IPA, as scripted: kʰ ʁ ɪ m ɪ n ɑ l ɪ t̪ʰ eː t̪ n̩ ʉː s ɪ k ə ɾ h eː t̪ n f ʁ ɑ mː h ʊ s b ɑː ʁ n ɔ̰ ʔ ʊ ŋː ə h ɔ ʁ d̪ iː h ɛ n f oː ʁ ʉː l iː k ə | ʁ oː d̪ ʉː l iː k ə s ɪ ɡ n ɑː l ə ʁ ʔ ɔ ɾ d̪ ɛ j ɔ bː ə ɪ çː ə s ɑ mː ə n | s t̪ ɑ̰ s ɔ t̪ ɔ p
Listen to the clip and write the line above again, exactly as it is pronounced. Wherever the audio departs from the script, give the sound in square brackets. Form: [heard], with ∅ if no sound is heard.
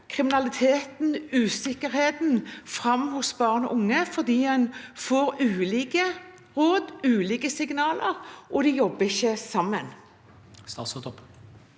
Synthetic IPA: kʰ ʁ ɪ m ɪ n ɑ l ɪ t̪ʰ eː t̪ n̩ ʉː s ɪ k ə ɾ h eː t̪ n f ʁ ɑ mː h ʊ s b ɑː ʁ n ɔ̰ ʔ ʊ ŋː ə [f] ɔ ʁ d̪ iː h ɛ n f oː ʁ ʉː l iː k ə | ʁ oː d̪ ʉː l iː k ə s ɪ ɡ n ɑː l ə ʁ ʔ ɔ [∅] d̪ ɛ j ɔ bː ə ɪ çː ə s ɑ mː ə n | s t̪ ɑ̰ s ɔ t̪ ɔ p